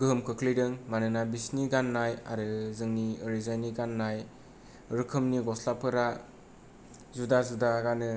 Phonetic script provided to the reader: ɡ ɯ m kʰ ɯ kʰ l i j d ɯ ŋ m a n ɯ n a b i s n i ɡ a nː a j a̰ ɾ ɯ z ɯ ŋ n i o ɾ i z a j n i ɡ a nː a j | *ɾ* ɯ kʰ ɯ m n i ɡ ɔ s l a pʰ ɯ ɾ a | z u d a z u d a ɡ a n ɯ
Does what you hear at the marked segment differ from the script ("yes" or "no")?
no